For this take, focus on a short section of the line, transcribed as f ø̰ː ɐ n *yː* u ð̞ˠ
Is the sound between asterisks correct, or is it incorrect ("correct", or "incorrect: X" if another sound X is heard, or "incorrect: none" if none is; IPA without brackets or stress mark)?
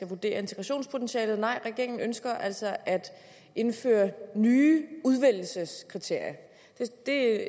correct